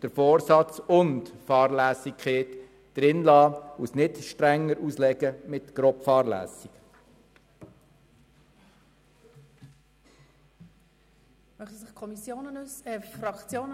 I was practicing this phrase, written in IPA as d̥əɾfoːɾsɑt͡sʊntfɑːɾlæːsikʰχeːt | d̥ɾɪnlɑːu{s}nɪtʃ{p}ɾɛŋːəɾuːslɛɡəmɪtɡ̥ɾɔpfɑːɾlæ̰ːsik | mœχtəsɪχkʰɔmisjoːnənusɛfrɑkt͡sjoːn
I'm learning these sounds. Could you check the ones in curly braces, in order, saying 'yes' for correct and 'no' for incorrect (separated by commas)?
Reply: yes, no